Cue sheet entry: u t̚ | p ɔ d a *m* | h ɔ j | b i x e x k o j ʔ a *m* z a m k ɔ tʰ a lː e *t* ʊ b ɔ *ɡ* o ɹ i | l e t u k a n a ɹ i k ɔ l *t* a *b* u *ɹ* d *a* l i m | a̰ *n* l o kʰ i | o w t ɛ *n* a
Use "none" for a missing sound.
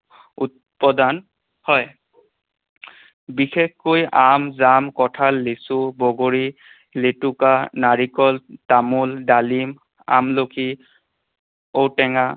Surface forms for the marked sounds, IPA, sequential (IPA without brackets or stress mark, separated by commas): n, m, s, ɡ, t, m, l, a, m, ŋ